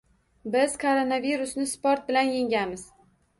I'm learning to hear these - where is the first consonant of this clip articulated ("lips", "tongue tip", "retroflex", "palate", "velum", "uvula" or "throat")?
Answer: lips